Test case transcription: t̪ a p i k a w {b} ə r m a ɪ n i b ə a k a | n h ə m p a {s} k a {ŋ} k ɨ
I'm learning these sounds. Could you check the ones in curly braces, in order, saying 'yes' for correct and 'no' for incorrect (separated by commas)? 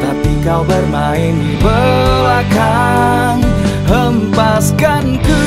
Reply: yes, yes, no